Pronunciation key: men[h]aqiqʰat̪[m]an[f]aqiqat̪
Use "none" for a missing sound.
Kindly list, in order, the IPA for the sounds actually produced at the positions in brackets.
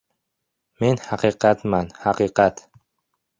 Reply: h, m, h

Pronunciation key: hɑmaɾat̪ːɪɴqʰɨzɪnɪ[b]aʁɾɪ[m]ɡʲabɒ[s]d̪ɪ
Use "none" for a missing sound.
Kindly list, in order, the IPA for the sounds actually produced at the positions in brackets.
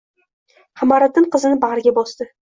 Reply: b, none, s

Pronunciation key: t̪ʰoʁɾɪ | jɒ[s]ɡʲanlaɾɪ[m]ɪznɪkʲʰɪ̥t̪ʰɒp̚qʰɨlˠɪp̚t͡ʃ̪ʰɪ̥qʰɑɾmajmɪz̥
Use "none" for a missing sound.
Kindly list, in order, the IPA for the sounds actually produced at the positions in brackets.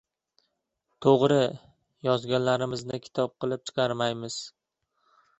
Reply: z, m

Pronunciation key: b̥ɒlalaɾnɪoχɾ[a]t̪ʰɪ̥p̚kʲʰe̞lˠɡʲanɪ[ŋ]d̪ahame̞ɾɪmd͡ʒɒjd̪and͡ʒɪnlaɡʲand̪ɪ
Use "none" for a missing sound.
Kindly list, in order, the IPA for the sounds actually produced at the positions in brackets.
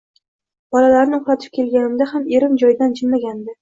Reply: a, m

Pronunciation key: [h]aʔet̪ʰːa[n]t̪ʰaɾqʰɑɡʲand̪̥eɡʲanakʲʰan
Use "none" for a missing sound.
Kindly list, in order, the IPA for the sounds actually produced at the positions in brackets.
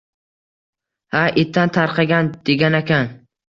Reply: h, n

